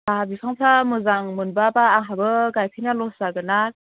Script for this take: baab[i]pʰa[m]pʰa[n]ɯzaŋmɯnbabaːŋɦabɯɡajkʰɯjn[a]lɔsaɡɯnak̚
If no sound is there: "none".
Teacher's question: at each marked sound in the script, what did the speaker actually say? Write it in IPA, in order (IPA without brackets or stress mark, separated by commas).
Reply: i, ŋ, m, a